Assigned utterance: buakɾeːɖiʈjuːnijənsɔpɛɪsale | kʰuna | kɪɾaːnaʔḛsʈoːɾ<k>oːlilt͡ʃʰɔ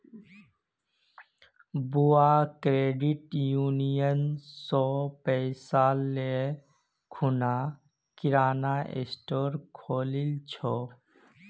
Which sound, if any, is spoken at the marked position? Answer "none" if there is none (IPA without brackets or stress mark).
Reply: kʰ